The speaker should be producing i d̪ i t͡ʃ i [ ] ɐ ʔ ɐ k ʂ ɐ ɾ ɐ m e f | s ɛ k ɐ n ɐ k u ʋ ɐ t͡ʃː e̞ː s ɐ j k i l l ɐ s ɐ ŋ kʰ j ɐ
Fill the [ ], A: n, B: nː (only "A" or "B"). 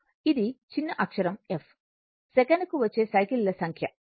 B